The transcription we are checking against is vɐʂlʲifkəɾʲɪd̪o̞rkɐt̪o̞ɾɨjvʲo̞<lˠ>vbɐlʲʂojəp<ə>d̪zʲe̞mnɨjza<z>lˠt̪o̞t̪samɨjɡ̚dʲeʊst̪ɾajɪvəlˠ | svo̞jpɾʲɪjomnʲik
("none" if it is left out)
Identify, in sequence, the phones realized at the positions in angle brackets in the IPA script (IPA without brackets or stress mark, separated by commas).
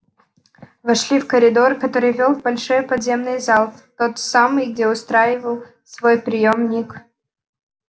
lˠ, ɐ, none